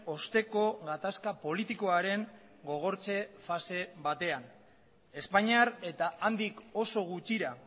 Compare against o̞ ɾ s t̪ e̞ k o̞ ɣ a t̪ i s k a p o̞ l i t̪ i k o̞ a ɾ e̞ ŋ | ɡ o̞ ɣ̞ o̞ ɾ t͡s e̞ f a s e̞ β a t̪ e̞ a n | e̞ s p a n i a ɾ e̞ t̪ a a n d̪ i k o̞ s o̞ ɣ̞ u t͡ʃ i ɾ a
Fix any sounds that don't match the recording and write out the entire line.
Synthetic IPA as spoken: o̞ s t̪ e̞ k o̞ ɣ a t̪ a s k a p o̞ l i t̪ i k o̞ a ɾ e̞ ŋ | ɡ o̞ ɣ̞ o̞ ɾ t͡s e̞ f a s e̞ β a t̪ e̞ a n | e̞ s p a ɲ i a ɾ e̞ t̪ a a n d̪ i k o̞ s o̞ ɣ̞ u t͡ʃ i ɾ a